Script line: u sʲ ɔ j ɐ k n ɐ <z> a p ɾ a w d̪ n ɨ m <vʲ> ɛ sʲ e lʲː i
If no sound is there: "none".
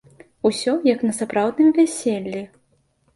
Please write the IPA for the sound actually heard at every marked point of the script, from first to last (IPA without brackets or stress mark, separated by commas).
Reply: s, vʲ